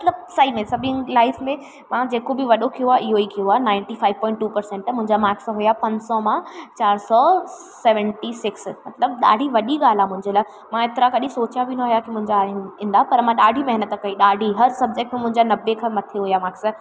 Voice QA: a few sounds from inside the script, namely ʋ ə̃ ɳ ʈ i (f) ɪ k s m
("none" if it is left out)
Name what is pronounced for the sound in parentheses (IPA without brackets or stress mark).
s